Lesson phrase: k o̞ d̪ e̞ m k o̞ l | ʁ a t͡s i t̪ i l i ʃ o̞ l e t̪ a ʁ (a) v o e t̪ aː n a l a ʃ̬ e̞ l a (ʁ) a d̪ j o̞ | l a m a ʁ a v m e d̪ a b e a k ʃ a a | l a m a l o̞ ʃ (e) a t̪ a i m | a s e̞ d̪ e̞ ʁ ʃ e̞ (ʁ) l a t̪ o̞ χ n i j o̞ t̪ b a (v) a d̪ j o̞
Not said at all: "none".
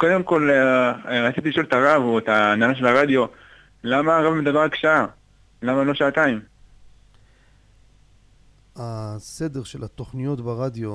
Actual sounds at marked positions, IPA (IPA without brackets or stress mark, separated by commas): a, ʁ, a, none, ʁ